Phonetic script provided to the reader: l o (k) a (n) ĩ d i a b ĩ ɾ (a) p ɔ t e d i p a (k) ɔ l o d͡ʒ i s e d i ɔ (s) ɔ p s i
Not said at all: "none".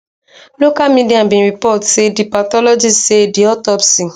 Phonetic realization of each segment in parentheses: k, m, i, t, t

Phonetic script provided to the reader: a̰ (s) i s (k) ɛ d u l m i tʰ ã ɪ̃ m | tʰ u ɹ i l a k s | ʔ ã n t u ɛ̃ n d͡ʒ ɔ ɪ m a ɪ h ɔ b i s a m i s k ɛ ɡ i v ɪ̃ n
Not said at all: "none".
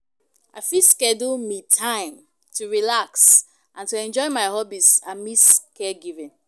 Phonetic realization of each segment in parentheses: f, k

